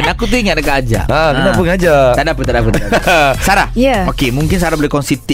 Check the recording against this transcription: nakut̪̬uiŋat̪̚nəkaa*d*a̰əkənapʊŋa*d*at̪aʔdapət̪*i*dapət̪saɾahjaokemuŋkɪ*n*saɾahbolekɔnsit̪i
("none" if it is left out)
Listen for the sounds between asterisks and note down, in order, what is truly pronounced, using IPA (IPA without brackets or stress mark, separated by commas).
d͡ʒ, d͡ʒ, a, n